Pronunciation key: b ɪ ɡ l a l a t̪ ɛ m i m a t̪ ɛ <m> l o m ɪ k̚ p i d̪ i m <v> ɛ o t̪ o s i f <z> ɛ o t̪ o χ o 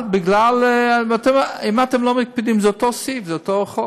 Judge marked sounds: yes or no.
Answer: yes, no, yes

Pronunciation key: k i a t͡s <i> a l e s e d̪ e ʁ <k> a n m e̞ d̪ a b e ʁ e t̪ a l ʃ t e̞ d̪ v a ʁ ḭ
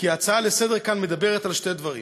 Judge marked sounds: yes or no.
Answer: no, yes

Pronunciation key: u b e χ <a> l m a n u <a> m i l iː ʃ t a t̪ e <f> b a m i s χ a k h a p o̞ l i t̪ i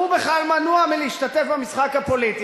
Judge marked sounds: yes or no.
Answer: yes, yes, yes

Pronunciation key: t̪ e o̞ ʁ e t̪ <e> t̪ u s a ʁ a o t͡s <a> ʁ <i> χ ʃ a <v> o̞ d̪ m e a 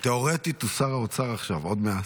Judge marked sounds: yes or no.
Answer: no, yes, no, yes

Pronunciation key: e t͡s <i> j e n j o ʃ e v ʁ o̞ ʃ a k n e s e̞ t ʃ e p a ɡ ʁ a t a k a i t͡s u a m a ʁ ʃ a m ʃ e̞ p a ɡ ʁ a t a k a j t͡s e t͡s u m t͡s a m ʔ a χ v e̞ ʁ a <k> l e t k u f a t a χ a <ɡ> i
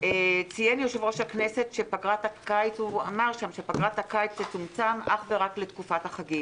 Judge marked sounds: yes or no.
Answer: yes, yes, yes

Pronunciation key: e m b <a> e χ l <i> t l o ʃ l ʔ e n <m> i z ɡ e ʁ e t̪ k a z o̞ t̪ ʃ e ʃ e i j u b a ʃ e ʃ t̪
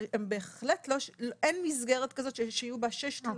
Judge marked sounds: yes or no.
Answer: no, no, yes

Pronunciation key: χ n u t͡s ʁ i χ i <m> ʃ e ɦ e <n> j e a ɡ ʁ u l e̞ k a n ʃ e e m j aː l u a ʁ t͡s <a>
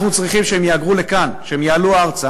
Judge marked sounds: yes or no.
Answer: yes, no, yes

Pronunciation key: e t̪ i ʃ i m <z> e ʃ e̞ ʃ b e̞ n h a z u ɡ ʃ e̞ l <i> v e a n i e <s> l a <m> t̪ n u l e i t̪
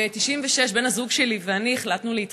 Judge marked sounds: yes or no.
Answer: no, yes, no, no

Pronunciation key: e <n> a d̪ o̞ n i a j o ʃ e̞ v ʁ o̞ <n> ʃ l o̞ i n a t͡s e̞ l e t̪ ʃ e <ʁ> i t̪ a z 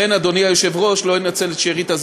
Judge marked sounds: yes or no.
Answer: yes, no, yes

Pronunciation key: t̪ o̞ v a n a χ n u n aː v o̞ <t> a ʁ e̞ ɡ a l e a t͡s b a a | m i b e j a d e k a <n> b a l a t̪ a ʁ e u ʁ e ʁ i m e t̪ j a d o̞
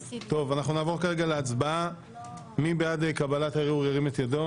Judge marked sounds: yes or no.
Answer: no, no

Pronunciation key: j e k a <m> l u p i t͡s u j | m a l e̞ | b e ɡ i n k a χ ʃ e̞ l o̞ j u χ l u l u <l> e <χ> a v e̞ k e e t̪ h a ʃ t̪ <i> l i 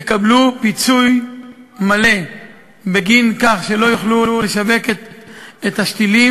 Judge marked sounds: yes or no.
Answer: no, yes, no, yes

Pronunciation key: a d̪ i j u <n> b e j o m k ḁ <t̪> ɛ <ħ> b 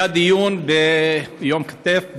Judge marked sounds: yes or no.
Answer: yes, yes, no

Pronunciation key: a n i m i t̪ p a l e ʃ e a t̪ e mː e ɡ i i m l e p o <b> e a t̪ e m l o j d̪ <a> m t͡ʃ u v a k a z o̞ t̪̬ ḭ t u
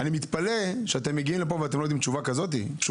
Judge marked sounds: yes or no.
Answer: no, no

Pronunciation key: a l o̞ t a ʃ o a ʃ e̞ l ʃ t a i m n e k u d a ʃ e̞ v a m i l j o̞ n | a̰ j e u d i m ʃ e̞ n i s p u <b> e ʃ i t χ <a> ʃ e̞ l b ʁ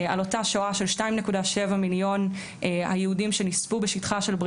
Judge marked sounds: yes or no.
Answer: yes, yes

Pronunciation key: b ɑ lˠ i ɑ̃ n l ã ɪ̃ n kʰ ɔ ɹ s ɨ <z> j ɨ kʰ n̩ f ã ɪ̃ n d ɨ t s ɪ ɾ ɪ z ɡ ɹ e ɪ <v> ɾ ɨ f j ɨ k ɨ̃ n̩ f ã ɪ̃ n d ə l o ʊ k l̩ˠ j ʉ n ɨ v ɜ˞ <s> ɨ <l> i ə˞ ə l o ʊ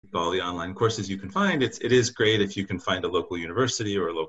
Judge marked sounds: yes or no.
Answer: yes, no, yes, no

